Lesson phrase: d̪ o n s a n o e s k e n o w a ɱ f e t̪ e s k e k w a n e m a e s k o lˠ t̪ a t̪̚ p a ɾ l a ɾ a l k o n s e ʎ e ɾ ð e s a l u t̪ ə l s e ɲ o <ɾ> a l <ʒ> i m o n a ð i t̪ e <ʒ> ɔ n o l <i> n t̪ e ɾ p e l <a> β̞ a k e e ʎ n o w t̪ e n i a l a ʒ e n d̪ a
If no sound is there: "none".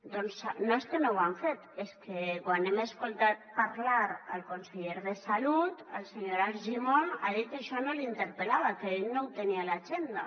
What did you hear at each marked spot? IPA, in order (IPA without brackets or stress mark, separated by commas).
ɾ, ʒ, ʃ, i, a